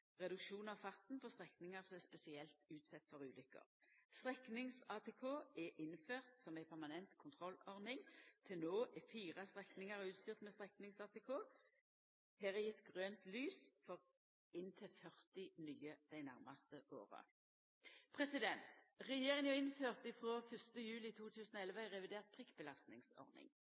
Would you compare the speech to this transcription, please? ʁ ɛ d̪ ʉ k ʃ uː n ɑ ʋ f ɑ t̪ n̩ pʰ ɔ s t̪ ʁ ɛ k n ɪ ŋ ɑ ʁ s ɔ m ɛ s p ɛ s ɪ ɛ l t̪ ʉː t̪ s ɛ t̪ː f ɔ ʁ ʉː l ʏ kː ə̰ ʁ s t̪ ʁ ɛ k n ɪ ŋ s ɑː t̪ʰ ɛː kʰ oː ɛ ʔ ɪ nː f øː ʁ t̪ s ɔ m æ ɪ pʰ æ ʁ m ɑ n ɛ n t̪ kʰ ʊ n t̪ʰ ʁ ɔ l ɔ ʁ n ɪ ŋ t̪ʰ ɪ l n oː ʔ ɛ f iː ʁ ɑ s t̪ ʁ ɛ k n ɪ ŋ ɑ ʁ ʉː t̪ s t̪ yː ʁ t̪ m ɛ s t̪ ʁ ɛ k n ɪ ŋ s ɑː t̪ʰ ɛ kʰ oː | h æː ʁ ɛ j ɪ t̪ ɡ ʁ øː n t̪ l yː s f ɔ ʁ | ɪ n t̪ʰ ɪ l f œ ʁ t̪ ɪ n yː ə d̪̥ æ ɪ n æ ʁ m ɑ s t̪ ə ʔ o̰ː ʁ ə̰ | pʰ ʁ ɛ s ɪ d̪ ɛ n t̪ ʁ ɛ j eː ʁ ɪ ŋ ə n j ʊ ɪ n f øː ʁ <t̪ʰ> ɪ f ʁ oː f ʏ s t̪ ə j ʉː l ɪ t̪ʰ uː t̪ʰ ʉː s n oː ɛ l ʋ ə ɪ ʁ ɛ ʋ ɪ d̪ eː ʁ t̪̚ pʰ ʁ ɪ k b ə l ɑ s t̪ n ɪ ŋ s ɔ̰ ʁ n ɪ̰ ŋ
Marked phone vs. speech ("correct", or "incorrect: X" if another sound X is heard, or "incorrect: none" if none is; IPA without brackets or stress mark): incorrect: t̪